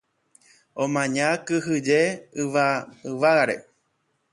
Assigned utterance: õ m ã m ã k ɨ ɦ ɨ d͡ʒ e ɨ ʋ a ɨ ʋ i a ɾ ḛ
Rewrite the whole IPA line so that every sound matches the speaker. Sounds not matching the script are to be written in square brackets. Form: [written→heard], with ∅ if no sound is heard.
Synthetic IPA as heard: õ m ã [m→ɲ] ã k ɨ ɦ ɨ d͡ʒ e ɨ ʋ a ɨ ʋ [i→a] a ɾ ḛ